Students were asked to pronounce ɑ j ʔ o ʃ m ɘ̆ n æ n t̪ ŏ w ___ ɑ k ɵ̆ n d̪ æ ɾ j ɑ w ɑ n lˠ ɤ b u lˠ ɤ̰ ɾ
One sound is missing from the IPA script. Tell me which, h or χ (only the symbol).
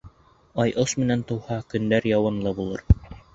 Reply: h